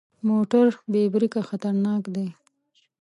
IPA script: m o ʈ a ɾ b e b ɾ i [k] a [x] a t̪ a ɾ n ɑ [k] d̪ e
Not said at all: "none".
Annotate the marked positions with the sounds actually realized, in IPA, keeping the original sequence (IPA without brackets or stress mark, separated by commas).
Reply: k, x, k